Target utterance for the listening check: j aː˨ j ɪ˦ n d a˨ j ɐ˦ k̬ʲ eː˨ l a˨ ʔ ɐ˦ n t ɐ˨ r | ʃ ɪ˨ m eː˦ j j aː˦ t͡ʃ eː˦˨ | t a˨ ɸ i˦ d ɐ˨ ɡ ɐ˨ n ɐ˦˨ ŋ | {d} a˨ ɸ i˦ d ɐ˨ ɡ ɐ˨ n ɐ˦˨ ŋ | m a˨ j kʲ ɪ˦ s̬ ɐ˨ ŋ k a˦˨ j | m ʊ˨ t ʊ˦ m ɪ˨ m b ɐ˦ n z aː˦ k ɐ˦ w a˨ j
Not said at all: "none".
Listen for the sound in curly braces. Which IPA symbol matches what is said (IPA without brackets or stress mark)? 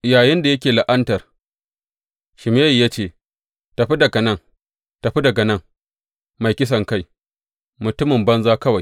t